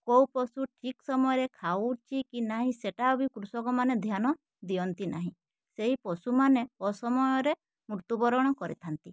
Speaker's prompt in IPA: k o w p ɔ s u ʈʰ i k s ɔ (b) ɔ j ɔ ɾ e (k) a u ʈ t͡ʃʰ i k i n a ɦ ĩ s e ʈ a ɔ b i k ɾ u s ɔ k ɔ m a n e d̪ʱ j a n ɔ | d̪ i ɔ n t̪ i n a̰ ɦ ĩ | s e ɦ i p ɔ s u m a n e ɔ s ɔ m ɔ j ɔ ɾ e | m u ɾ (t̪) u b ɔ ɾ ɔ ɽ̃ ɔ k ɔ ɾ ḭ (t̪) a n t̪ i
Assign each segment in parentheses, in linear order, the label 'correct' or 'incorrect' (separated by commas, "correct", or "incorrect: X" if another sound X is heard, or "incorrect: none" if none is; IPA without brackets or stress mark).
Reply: incorrect: m, incorrect: kʰ, correct, incorrect: t̪ʰ